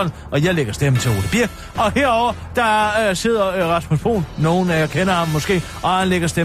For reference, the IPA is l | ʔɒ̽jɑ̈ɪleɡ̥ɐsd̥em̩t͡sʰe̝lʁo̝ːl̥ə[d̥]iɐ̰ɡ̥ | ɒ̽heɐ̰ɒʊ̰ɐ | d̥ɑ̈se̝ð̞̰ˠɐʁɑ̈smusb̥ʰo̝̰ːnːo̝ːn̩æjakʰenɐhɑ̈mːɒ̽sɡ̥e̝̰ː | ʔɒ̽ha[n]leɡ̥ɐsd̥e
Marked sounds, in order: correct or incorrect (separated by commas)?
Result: incorrect, correct